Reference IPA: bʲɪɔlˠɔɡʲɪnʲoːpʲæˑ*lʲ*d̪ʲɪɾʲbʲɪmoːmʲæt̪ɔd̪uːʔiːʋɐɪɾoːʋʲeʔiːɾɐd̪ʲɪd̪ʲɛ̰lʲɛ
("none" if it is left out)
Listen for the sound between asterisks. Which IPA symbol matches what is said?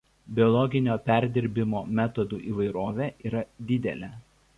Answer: ɾʲ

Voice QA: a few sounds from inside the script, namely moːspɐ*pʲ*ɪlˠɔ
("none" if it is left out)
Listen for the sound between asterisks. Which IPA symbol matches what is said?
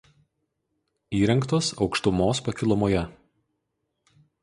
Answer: kʲ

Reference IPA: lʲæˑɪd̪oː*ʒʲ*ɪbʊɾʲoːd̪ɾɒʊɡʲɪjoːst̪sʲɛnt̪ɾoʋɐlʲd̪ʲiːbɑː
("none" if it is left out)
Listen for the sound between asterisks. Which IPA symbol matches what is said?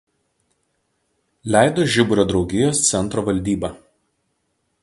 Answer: ʒʲ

